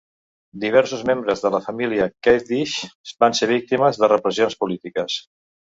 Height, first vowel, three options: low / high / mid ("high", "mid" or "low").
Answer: high